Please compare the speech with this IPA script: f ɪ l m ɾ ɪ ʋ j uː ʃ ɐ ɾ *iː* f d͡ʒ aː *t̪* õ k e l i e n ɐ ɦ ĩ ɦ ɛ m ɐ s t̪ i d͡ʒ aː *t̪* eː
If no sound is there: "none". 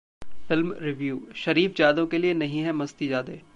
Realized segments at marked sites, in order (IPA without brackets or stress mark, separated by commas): iː, d̪, d̪